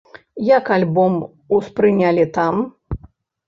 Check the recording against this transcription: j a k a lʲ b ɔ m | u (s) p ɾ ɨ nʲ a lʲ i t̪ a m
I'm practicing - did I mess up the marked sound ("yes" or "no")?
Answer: no